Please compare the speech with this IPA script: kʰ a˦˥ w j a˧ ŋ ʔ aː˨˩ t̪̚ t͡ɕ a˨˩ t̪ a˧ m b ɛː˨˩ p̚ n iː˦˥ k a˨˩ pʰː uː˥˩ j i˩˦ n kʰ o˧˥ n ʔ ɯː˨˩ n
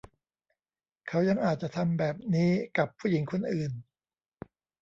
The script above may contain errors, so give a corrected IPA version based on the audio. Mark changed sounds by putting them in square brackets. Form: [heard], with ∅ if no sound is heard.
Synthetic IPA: kʰ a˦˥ w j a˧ ŋ ʔ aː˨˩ t̪̚ t͡ɕ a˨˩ [t̪ʰ] a˧ m b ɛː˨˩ p̚ n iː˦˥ k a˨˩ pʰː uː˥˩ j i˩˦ [ŋ] kʰ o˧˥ n ʔ ɯː˨˩ n